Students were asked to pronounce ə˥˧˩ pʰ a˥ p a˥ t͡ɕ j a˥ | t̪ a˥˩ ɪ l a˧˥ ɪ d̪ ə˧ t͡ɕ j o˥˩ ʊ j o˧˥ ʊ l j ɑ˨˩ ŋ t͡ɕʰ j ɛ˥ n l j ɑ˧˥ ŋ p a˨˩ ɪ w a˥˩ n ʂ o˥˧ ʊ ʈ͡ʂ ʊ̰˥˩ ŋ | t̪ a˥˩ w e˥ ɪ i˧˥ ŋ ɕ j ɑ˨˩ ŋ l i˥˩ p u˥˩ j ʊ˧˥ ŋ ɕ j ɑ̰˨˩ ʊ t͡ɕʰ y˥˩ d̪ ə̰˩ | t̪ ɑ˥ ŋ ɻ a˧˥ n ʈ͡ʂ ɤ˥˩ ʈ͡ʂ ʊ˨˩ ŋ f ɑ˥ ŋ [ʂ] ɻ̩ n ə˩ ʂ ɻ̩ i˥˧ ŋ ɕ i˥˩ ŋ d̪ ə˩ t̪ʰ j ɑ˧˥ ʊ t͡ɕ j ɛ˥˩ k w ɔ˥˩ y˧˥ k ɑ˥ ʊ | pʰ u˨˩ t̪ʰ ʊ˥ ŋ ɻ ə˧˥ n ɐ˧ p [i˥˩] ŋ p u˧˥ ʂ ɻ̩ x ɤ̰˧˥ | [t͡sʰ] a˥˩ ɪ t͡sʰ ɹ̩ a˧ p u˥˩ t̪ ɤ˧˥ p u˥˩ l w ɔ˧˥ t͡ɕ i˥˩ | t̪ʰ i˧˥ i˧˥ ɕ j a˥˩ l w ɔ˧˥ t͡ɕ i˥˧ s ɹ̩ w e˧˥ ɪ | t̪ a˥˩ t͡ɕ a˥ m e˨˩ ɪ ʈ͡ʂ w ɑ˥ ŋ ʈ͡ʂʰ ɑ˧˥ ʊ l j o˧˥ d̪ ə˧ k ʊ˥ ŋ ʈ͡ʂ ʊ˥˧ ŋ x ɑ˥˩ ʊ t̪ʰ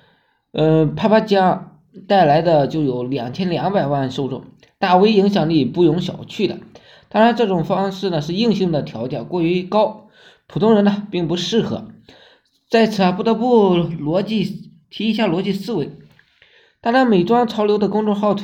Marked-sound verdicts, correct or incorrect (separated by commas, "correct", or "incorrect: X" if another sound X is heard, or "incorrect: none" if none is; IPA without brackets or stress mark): correct, correct, incorrect: t͡s